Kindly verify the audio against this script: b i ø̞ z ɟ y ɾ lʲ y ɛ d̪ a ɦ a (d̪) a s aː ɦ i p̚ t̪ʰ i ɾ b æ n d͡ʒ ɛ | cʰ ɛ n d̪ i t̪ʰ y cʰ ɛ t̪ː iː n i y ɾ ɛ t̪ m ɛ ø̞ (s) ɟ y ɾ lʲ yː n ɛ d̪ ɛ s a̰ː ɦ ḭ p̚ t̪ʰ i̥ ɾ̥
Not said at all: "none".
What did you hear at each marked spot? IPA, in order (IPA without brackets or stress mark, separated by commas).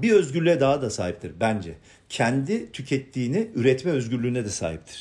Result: d̪, z